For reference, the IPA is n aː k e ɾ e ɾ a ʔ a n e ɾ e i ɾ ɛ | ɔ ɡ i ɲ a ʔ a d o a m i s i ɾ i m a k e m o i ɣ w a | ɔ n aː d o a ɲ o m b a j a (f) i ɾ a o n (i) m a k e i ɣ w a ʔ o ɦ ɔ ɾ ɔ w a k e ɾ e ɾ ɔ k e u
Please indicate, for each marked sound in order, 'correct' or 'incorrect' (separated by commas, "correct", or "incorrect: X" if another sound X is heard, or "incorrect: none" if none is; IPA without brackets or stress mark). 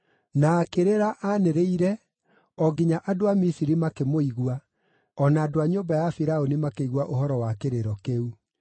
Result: correct, correct